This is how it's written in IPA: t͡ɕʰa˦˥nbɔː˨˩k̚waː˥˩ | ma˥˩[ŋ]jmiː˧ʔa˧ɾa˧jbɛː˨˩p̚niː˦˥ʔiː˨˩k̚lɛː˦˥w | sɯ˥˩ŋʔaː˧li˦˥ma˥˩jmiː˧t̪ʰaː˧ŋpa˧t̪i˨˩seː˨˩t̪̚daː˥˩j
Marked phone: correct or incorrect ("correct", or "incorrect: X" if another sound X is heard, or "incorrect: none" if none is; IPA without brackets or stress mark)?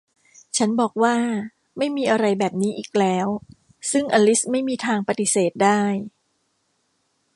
incorrect: none